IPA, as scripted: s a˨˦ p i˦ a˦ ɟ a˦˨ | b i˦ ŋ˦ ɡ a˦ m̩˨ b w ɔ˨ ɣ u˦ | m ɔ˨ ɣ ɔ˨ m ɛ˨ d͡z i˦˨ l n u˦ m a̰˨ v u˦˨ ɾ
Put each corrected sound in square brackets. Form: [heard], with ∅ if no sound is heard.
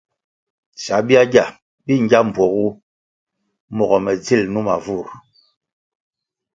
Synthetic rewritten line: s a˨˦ [b] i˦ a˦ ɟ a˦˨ | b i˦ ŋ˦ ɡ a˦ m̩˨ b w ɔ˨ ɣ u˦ | m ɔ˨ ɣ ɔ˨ m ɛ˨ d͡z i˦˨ l n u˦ m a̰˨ v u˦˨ ɾ